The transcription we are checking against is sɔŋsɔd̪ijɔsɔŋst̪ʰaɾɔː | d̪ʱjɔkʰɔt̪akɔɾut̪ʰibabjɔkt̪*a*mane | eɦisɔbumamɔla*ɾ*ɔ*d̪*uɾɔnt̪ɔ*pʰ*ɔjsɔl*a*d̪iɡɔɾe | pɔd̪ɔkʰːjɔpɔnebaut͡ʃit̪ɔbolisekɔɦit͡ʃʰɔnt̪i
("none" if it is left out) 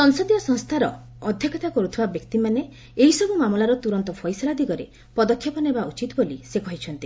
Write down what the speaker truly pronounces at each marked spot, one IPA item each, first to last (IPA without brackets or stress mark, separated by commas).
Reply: i, ɾ, t̪, pʰ, a